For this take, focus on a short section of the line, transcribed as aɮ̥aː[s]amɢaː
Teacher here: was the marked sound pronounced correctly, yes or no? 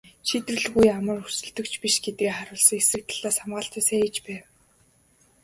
yes